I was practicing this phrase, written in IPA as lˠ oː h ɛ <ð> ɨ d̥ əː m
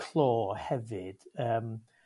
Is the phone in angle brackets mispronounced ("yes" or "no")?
yes